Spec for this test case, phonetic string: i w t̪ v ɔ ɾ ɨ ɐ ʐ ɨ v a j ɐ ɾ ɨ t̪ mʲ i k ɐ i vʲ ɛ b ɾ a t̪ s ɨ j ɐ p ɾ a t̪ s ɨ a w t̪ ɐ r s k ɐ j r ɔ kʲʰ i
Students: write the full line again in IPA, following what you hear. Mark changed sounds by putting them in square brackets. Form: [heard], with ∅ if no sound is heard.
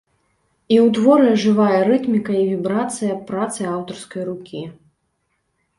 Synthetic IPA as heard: i w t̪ v ɔ ɾ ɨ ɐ ʐ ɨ v a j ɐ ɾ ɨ t̪ mʲ i k ɐ i vʲ [i] b ɾ a t̪ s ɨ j ɐ p ɾ a t̪ s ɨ a w t̪ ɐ r s k ɐ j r [u] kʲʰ i